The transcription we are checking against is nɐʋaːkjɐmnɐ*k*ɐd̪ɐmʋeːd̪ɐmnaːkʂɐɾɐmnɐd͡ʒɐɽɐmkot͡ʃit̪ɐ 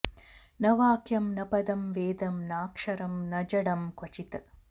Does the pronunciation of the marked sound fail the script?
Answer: yes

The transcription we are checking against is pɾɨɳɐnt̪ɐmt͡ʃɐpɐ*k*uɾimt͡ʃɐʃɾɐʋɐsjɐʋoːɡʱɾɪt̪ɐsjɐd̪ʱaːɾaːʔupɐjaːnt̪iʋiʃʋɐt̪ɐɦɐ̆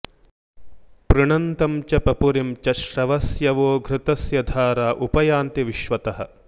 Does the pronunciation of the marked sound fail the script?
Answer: yes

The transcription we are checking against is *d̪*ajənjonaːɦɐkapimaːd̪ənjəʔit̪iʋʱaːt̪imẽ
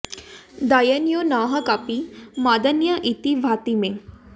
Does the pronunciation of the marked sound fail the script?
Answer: no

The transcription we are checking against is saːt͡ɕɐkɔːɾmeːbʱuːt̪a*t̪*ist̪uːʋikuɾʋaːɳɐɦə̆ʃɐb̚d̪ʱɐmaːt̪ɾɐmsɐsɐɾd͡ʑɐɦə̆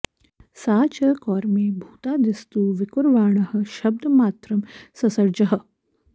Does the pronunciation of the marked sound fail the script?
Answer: yes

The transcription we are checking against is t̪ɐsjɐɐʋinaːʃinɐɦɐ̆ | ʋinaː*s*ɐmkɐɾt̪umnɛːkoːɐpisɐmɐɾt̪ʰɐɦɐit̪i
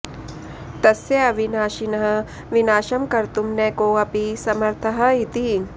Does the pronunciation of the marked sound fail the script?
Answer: yes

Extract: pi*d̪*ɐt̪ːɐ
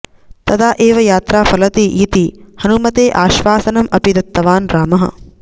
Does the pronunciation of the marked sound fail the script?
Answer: no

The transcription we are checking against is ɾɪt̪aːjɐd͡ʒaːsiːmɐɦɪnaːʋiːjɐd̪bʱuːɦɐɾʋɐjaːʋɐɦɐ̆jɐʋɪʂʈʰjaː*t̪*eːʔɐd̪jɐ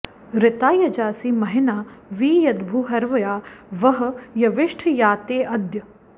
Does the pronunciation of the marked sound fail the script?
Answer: no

